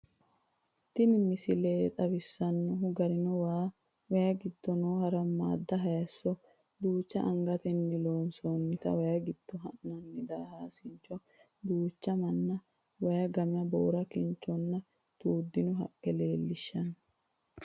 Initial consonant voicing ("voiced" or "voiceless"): voiceless